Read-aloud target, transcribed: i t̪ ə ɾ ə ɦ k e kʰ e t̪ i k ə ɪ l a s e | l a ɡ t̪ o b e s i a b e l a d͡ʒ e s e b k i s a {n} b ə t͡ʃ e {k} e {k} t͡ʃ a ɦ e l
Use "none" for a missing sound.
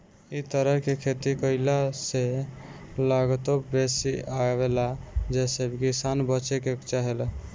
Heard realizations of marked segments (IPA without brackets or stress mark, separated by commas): n, k, k